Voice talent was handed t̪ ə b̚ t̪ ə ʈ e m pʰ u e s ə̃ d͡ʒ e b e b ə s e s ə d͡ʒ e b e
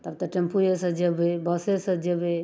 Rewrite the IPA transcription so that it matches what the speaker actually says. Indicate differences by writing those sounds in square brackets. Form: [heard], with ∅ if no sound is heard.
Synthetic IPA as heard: t̪ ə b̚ t̪ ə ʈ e m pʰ u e s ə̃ d͡ʒ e b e b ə s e s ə d͡ʒ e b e